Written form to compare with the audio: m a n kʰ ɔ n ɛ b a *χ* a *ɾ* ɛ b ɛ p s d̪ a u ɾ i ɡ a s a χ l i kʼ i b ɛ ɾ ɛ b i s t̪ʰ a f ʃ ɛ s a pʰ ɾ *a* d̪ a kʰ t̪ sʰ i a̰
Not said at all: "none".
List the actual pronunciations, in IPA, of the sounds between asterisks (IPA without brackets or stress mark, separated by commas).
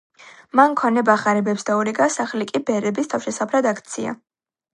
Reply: χ, ɾ, a